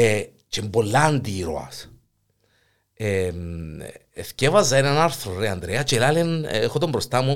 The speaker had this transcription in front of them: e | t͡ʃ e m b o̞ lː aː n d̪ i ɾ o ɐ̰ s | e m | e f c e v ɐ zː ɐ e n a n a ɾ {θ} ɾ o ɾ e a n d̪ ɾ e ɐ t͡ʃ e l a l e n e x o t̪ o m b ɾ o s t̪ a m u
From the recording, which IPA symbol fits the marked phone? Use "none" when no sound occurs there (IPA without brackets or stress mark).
θ